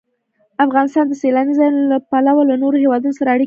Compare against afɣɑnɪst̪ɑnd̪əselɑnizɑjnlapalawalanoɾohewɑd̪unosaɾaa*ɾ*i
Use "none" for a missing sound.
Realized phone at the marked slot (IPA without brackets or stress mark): ɽ